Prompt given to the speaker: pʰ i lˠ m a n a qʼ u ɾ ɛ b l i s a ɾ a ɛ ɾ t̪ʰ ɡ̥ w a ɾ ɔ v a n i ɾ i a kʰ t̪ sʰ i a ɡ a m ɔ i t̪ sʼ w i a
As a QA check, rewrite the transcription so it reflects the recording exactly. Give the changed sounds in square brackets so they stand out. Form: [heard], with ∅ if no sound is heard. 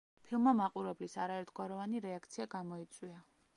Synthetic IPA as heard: pʰ i lˠ m a [m] a qʼ u ɾ ɛ b l i s a ɾ a ɛ ɾ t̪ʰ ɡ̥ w a ɾ ɔ v a n i ɾ [ɛ] a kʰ t̪ sʰ i a ɡ a m ɔ i t̪ sʼ w i a